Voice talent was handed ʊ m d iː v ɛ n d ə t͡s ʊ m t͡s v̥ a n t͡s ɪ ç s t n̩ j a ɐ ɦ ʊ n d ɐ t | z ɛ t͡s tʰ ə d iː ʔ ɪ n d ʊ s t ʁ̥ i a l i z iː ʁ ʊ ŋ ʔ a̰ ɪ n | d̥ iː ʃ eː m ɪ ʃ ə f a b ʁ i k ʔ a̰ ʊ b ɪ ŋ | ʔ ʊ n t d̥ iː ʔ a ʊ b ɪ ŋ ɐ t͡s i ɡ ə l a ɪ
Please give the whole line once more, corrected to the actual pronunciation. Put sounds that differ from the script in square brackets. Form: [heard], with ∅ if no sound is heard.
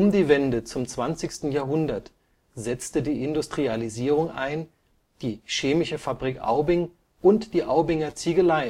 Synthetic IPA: ʊ m d iː v ɛ n d ə t͡s ʊ m t͡s v̥ a n t͡s ɪ ç s t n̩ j a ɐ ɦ ʊ n d ɐ t | z ɛ t͡s [t] ə d iː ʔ ɪ n d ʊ s t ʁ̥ i a l i z iː ʁ ʊ ŋ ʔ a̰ ɪ n | d̥ iː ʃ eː m ɪ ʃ ə f a b ʁ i k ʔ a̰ ʊ b ɪ ŋ | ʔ ʊ n t d̥ iː ʔ a ʊ b ɪ ŋ ɐ t͡s i ɡ ə l a ɪ